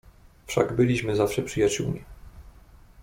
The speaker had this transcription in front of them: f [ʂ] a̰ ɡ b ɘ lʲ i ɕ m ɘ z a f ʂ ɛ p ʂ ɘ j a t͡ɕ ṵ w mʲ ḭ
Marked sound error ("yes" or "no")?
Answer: no